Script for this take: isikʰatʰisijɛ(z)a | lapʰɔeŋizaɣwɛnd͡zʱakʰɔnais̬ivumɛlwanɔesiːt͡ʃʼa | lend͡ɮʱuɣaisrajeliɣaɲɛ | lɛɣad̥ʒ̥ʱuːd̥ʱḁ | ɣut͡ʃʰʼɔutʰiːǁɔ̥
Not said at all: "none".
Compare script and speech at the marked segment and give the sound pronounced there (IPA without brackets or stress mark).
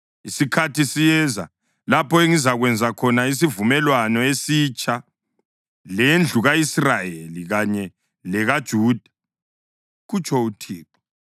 z